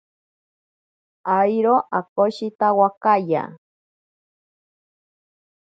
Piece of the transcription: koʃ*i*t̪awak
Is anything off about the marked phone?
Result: no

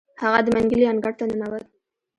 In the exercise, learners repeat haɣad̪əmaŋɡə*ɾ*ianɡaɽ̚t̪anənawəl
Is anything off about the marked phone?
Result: yes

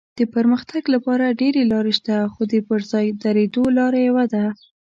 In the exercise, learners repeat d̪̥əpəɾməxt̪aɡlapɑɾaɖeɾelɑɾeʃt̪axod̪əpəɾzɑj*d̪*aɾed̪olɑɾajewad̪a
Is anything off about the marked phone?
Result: no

